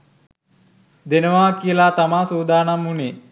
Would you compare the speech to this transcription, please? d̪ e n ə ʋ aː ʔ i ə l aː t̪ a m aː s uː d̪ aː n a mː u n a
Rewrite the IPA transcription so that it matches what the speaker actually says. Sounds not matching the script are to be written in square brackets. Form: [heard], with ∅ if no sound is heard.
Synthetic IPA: d̪ e n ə ʋ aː [k] i ə l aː t̪ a m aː s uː d̪ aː n a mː u n [e]